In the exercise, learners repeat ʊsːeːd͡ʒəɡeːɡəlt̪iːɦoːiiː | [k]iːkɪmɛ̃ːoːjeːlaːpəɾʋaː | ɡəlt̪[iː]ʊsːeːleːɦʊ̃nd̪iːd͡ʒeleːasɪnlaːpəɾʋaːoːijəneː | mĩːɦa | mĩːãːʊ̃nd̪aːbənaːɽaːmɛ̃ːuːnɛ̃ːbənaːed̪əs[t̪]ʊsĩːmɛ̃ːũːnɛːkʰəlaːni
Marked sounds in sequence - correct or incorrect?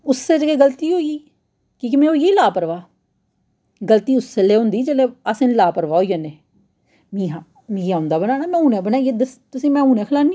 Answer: correct, correct, correct

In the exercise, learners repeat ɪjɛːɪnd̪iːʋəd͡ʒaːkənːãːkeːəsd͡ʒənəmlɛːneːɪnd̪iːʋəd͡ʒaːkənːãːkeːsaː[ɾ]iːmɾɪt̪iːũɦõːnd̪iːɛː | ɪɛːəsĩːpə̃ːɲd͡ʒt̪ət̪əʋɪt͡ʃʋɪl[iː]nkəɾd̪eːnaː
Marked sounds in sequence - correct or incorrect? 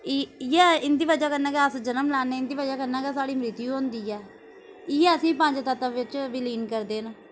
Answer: incorrect: ɽ, correct

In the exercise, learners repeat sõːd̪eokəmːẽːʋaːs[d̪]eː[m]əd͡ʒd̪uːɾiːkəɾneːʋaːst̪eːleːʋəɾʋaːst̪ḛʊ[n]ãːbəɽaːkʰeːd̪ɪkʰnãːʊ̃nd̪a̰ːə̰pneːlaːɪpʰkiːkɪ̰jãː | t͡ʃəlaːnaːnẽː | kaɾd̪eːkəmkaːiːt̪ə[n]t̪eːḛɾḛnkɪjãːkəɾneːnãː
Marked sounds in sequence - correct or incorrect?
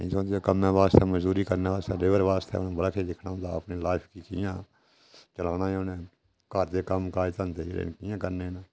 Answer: incorrect: t̪, correct, correct, correct

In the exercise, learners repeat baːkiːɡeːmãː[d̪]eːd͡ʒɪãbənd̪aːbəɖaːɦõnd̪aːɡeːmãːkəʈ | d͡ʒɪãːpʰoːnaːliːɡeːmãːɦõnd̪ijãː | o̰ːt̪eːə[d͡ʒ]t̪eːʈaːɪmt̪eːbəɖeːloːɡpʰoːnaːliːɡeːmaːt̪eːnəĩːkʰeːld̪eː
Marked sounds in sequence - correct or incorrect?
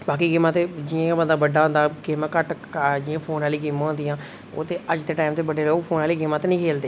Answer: incorrect: t̪, correct

